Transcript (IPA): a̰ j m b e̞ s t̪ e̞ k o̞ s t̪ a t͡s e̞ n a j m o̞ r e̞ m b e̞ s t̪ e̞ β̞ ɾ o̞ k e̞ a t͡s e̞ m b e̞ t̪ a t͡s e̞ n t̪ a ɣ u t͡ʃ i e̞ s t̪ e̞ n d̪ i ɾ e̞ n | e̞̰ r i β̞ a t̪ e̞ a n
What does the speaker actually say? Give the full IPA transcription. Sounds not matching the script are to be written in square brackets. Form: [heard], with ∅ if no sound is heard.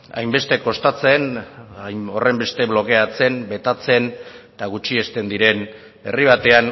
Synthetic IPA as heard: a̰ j m b e̞ s t̪ e̞ k o̞ s t̪ a t͡s e̞ n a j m o̞ r e̞ m b e̞ s t̪ e̞ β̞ [l] o̞ k e̞ a t͡s e̞ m b e̞ t̪ a t͡s e̞ n t̪ a ɣ u t͡ʃ i e̞ s t̪ e̞ n d̪ i ɾ e̞ n | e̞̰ r i β̞ a t̪ e̞ a n